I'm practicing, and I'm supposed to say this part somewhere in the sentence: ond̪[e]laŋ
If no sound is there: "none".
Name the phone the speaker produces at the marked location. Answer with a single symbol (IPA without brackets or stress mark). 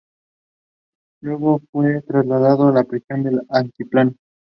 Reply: e